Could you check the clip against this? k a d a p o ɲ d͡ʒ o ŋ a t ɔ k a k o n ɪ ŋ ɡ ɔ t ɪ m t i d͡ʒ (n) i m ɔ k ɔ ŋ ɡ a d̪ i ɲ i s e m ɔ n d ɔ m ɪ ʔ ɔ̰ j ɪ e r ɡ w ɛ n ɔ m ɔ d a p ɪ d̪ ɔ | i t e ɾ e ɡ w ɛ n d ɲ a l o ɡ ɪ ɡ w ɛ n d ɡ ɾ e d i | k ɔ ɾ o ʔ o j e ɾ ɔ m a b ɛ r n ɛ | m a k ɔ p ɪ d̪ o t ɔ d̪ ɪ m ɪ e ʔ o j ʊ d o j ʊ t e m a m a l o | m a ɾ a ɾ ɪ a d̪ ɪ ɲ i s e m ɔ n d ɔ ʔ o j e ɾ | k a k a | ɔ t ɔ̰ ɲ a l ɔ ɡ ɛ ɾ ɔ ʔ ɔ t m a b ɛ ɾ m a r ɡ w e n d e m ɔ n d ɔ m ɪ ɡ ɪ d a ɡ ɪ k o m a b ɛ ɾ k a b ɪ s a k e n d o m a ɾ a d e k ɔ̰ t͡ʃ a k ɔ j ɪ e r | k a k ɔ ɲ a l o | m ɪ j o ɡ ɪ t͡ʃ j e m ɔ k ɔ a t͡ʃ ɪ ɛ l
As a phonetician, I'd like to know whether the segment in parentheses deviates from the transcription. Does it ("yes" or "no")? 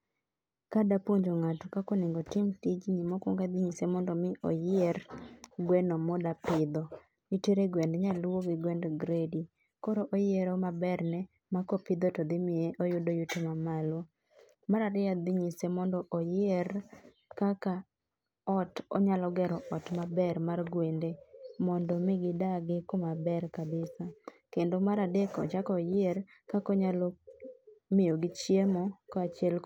yes